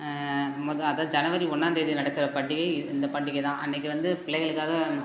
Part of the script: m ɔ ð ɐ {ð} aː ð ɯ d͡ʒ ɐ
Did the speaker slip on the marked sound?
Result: no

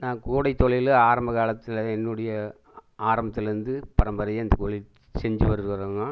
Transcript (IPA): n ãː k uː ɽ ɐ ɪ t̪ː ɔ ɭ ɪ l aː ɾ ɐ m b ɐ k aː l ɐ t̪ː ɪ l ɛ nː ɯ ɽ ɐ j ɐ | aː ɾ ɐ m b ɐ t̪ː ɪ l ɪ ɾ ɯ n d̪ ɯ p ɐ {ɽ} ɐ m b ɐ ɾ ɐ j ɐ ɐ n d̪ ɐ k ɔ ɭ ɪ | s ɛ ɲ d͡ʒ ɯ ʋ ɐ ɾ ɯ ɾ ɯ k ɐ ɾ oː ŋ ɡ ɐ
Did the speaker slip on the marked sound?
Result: yes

